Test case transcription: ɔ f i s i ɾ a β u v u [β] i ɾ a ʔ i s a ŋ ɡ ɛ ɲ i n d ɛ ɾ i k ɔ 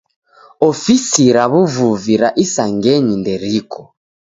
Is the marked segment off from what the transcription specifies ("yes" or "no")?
yes